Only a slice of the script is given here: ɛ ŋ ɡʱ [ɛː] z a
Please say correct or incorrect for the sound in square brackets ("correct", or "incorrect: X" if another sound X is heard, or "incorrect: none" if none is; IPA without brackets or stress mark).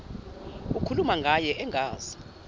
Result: incorrect: aː